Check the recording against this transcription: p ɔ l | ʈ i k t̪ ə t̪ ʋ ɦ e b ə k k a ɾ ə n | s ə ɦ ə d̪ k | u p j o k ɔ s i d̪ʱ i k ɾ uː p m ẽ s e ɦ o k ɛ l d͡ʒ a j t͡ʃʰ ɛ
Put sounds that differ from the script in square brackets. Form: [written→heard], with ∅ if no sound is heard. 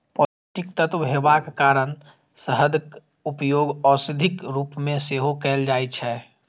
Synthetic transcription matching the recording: p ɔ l | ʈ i k t̪ ə t̪ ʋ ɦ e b [ə→a] k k a ɾ ə n | s ə ɦ ə d̪ k | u p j o [k→ɡ] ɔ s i d̪ʱ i k ɾ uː p m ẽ s e ɦ o k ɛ l d͡ʒ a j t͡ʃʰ ɛ